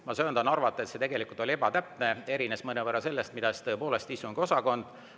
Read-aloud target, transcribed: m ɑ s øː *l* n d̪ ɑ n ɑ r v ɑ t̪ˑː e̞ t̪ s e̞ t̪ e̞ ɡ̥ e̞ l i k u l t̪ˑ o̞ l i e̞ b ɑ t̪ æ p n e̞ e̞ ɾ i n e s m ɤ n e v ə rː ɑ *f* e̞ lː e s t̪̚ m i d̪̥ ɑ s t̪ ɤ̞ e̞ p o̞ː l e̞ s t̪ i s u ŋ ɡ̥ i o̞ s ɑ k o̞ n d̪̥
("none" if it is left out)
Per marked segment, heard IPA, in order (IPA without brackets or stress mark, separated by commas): none, s